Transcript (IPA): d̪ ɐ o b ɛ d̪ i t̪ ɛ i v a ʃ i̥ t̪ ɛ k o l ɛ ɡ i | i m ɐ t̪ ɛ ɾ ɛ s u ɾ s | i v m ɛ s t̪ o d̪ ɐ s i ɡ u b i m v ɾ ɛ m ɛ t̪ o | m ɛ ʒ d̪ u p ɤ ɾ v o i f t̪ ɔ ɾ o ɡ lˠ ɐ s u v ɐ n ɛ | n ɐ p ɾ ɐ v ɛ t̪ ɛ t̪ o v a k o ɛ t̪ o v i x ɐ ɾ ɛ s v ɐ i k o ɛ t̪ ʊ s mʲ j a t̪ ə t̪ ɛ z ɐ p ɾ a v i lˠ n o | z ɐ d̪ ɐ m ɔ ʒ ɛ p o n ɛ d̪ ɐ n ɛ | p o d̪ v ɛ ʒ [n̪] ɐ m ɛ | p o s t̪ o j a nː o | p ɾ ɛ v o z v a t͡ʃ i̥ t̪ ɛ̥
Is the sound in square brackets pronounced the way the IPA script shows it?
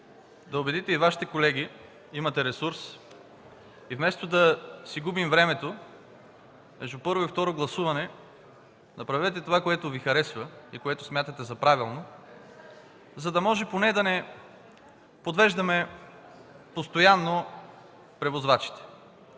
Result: no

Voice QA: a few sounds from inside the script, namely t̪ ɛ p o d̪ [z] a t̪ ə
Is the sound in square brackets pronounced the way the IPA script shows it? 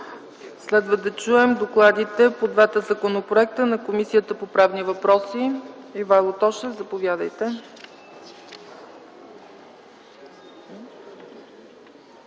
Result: no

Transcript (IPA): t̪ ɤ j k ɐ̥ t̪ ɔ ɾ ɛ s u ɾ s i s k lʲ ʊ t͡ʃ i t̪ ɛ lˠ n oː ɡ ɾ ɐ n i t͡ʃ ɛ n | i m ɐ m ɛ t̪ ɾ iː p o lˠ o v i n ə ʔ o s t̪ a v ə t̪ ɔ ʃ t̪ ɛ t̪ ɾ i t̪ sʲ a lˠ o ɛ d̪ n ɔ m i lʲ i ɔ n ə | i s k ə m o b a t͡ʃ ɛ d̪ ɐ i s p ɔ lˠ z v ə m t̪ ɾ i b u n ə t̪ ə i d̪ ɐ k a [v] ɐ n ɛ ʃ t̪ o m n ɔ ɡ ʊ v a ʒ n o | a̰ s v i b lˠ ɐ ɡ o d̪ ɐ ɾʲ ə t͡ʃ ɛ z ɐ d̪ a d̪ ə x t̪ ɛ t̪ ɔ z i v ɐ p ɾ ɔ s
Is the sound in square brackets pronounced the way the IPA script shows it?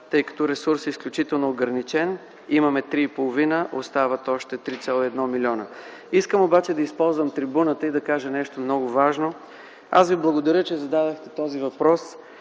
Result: no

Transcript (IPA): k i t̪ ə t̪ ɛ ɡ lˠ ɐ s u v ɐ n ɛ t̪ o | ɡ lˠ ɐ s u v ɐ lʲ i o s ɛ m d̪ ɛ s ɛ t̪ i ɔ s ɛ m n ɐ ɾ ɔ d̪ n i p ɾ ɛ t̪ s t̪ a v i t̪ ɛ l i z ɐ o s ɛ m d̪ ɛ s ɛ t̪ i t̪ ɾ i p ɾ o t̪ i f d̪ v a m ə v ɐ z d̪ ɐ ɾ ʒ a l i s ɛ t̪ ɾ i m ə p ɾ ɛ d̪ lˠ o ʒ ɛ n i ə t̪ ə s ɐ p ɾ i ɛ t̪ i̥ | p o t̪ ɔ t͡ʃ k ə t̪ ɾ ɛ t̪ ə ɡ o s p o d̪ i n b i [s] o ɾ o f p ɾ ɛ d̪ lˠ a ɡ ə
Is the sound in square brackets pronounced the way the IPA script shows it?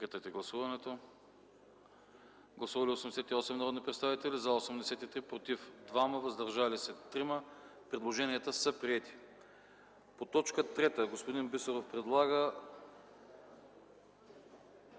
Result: yes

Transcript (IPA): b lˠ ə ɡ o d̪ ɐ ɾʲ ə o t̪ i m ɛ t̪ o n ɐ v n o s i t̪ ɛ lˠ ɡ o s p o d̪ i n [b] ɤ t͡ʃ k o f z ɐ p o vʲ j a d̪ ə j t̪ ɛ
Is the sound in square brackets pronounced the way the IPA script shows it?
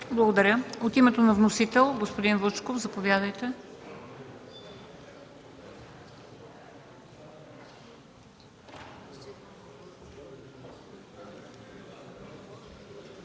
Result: no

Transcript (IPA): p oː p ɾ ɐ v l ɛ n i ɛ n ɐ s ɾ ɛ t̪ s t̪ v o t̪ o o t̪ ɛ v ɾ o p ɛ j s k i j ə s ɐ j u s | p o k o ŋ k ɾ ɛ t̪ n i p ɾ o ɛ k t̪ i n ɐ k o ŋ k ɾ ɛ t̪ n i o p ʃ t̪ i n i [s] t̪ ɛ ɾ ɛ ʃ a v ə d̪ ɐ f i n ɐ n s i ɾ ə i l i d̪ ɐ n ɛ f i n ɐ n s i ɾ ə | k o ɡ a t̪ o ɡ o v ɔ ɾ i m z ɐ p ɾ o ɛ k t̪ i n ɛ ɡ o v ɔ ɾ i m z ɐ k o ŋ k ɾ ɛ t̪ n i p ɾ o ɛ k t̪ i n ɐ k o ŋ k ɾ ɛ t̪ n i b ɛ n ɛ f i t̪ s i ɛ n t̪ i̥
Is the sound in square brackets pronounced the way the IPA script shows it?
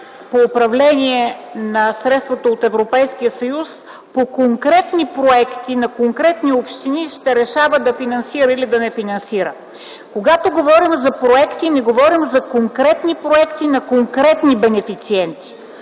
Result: no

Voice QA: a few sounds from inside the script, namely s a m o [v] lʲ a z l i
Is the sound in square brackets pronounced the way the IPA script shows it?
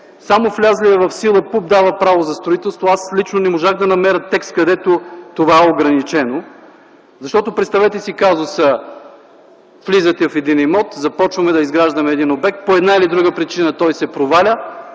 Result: no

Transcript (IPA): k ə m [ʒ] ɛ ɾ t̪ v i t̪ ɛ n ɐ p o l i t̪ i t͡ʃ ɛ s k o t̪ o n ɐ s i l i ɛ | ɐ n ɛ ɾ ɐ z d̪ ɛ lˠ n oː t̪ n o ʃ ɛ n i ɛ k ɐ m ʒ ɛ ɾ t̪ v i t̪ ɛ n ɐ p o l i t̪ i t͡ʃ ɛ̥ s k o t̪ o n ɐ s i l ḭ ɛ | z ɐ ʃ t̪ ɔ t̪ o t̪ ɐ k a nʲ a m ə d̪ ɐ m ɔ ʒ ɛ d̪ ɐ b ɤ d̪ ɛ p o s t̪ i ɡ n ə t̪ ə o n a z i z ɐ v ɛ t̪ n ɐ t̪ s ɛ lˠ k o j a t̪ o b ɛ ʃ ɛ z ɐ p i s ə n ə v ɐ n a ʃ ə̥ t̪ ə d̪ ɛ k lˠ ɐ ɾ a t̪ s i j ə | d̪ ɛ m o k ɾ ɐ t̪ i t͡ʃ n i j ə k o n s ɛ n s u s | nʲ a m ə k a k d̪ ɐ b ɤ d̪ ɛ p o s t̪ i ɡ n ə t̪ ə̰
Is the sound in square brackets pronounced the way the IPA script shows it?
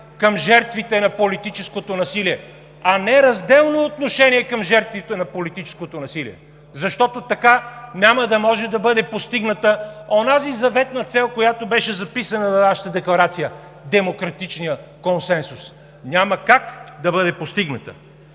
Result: yes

